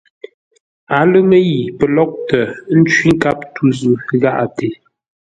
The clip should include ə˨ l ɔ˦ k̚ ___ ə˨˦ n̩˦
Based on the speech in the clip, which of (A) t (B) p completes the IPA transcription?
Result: A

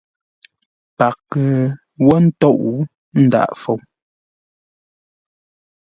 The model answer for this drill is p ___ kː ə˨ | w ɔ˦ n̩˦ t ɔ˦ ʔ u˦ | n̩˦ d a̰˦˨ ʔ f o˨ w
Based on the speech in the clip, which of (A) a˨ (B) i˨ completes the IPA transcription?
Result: A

